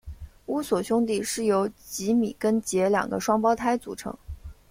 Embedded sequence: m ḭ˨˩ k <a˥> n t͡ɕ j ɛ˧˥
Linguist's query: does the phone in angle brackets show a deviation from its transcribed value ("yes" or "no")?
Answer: yes